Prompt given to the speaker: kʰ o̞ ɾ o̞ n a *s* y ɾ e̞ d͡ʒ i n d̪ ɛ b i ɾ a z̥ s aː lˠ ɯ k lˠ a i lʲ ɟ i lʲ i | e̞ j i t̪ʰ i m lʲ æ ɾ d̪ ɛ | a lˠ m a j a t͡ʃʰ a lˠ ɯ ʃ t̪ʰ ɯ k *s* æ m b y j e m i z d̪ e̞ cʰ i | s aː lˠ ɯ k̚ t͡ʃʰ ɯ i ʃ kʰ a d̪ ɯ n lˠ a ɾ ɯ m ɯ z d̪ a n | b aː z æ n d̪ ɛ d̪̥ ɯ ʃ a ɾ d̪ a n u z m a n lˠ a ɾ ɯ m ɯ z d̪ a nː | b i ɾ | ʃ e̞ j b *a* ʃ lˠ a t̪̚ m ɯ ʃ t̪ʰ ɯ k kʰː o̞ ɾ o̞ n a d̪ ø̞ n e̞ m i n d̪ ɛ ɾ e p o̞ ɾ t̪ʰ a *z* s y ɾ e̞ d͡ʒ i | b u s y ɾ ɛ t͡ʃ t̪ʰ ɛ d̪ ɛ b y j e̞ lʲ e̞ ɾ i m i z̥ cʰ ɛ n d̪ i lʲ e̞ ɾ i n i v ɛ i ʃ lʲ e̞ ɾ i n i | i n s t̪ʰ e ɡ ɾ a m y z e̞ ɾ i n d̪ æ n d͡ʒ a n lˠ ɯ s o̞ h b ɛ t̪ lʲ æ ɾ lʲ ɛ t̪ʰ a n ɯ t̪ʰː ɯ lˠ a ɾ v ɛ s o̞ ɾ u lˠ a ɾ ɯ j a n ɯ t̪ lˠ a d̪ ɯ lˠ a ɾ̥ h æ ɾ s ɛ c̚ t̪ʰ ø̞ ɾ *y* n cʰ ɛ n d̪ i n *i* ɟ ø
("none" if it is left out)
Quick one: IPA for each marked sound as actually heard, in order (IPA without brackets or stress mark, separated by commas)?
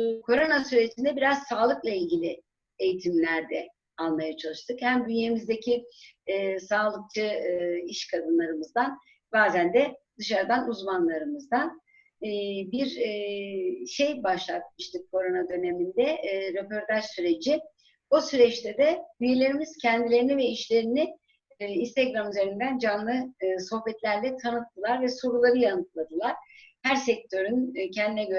s, h, a, ʒ, y, ɛ